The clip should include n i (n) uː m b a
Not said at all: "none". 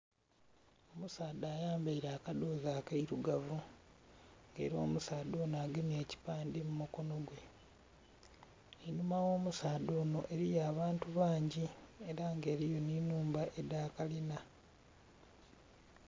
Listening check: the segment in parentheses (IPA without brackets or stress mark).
n